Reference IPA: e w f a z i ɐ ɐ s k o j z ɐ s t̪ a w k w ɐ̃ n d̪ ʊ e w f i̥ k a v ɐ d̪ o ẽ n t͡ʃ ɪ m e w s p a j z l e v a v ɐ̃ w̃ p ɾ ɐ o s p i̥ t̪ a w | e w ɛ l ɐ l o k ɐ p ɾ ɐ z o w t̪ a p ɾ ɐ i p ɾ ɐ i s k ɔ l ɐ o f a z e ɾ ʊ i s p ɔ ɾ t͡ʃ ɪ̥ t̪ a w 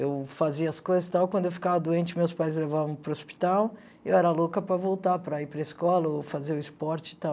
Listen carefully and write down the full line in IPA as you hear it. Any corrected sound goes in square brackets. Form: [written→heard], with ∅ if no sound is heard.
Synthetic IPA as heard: e w f a z i ɐ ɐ s k o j z ɐ s t̪ a w k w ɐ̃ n d̪ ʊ e w f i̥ k a v ɐ d̪ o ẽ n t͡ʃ ɪ m e w s p a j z l e v a v ɐ̃ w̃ p ɾ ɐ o s p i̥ t̪ a w | e w ɛ [l→ɾ] ɐ l o k ɐ p ɾ ɐ [z→v] o w t̪ a p ɾ ɐ i p ɾ ɐ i s k ɔ l ɐ o f a z e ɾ ʊ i s p ɔ ɾ t͡ʃ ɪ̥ t̪ a w